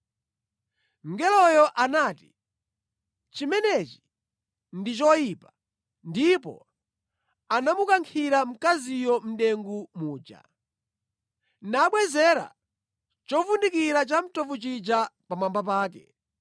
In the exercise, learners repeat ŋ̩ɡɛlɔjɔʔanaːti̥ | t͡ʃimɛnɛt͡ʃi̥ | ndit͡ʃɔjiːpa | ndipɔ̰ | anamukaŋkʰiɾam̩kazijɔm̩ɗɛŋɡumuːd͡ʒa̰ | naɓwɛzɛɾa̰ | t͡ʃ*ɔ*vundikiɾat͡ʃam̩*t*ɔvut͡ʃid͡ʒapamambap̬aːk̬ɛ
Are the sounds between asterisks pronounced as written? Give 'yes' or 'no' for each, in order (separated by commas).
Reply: yes, yes